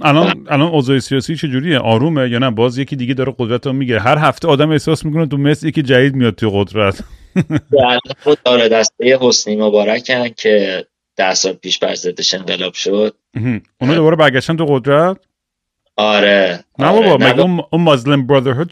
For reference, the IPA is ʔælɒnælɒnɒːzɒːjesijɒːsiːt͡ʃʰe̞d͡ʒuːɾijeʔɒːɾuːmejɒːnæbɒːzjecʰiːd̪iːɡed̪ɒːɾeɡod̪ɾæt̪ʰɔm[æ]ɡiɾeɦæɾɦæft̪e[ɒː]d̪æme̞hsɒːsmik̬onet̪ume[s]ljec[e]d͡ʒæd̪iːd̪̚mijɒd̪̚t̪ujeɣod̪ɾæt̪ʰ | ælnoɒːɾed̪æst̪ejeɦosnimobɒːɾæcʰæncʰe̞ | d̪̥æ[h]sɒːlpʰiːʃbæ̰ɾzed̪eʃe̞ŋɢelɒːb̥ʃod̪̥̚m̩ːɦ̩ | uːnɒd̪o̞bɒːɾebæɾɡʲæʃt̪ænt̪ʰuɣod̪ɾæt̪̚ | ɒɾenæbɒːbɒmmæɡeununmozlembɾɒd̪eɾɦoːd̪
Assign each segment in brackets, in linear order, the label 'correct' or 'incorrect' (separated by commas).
incorrect, correct, correct, incorrect, correct